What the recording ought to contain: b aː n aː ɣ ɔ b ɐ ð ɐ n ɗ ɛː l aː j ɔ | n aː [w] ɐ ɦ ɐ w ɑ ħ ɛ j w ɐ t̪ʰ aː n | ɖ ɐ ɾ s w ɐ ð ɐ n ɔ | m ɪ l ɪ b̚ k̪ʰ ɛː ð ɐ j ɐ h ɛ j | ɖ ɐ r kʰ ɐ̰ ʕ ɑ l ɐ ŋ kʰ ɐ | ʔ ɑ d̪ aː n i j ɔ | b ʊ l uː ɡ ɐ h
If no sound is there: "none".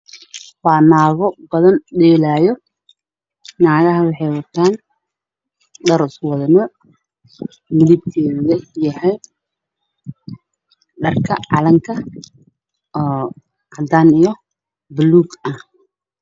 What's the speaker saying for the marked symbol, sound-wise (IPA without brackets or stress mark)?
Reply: ɣ